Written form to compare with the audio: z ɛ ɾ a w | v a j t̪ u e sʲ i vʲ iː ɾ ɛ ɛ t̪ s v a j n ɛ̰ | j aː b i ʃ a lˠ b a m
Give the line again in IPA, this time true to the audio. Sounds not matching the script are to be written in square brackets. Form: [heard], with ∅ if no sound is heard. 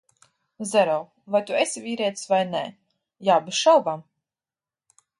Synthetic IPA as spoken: z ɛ ɾ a w | v a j t̪ u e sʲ i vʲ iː ɾ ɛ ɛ t̪ s v a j n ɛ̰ | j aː b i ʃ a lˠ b a m